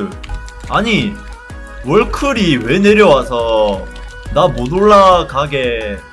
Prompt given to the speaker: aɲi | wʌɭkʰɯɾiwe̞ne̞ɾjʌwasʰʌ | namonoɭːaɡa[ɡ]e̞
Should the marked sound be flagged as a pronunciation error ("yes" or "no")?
no